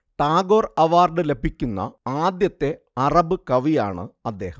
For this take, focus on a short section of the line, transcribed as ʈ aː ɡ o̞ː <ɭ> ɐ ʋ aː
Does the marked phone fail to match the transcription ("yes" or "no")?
yes